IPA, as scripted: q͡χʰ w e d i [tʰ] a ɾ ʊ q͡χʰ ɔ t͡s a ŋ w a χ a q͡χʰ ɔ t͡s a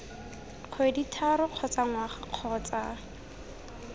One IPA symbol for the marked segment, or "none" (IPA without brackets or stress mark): tʰ